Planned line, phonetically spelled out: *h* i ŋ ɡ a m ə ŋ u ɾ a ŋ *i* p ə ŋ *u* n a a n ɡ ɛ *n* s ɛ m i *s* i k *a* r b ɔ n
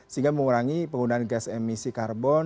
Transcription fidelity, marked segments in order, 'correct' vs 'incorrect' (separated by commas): incorrect, correct, correct, incorrect, correct, correct